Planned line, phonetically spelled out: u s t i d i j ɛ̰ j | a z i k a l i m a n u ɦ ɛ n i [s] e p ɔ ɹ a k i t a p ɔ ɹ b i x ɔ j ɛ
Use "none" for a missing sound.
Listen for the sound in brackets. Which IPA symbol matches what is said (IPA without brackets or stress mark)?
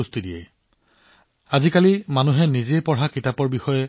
z